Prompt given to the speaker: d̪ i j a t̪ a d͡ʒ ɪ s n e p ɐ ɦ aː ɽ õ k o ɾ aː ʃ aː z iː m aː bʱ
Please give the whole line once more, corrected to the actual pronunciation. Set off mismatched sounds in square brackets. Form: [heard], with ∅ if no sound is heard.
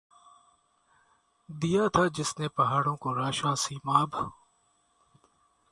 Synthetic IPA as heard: d̪ i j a [t̪ʰ] a d͡ʒ ɪ s n e p ɐ ɦ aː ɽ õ k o ɾ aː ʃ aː [s] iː m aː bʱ